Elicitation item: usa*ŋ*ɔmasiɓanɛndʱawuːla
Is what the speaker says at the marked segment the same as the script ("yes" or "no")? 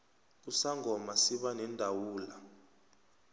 yes